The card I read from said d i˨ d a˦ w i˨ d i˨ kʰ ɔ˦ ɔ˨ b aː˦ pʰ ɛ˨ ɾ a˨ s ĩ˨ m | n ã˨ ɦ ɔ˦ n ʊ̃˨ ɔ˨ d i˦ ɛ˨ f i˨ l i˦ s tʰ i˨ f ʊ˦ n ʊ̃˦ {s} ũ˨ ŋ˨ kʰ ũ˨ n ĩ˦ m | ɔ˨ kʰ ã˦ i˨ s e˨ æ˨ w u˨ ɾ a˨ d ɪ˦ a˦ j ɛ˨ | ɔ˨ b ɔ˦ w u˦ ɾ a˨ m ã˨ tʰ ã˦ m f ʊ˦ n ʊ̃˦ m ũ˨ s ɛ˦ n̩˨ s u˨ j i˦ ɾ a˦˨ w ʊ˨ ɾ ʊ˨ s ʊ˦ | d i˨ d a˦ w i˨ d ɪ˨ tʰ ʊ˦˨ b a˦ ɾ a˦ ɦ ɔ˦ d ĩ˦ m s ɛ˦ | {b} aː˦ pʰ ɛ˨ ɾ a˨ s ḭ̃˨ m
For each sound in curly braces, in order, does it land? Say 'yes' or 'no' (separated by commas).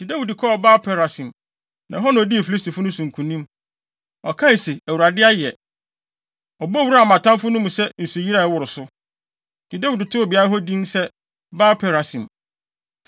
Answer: yes, yes